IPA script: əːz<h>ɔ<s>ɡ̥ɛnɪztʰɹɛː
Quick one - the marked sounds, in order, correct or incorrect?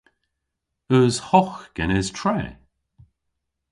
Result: correct, incorrect: x

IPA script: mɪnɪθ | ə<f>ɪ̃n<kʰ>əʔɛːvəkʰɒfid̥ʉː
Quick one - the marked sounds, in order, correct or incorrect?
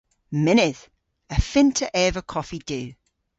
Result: correct, incorrect: tʰ

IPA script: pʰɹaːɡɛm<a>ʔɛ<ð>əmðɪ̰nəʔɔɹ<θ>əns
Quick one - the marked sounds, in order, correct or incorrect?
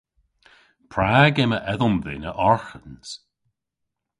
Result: incorrect: ə, correct, incorrect: x

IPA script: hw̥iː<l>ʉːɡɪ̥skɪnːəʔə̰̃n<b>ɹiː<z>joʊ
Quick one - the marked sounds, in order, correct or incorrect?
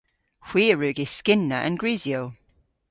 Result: incorrect: ɹ, incorrect: ɡ, correct

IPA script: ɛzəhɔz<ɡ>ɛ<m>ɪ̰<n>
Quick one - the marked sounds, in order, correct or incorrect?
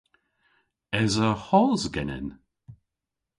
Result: correct, incorrect: n, correct

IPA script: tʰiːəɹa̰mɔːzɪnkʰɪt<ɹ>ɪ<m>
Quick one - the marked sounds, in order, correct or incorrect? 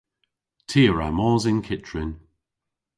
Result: correct, incorrect: n

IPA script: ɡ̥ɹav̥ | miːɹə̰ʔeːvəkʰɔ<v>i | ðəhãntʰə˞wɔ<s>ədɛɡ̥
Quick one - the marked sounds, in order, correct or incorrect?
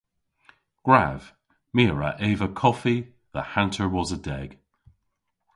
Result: incorrect: f, incorrect: z

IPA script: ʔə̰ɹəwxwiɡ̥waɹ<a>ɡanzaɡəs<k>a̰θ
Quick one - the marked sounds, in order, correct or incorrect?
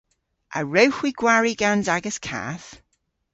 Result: incorrect: i, incorrect: kʰ

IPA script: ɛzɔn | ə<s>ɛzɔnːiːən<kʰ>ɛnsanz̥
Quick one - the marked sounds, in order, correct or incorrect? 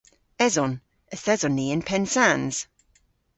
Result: incorrect: θ, incorrect: pʰ

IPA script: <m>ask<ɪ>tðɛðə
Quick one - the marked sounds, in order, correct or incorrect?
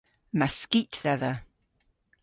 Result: correct, incorrect: i

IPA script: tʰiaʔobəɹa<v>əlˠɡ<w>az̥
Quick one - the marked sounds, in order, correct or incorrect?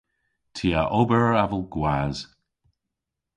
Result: correct, correct

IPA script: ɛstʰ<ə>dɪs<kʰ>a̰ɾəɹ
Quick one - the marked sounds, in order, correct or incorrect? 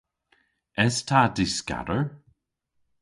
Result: incorrect: a, incorrect: k

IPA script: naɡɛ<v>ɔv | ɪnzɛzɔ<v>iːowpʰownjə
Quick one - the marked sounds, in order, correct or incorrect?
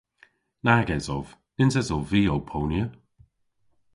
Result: incorrect: z, correct

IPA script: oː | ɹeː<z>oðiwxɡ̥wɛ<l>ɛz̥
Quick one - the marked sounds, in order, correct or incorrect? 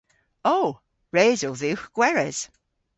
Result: correct, incorrect: ɹ

